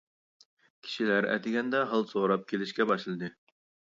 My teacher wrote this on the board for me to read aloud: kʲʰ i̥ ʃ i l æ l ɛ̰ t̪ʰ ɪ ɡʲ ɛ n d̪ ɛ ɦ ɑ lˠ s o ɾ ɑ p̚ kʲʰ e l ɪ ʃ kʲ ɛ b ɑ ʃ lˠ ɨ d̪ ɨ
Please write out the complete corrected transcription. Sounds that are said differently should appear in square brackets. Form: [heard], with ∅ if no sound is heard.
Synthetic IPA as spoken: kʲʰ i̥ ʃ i l æ [ɾ] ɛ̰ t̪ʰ ɪ ɡʲ ɛ n d̪ ɛ ɦ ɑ lˠ s o ɾ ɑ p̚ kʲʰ e l ɪ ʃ kʲ ɛ b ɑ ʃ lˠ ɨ d̪ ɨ